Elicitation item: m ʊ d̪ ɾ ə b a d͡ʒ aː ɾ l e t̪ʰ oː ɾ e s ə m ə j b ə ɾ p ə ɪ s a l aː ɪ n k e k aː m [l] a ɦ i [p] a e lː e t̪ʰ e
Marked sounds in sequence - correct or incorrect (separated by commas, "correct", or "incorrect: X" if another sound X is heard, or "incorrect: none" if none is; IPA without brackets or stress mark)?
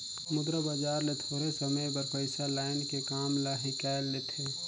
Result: correct, incorrect: k